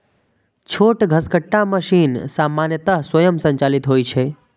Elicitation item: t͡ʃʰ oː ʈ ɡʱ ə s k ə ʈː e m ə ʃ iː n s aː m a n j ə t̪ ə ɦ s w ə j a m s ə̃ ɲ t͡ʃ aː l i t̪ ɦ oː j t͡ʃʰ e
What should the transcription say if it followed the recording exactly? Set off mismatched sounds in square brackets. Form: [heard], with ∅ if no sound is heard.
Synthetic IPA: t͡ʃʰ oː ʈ ɡʱ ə s k ə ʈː [a] m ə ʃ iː n s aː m a n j ə t̪ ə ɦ s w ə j [ə] m s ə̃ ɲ t͡ʃ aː l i t̪ ɦ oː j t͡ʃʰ e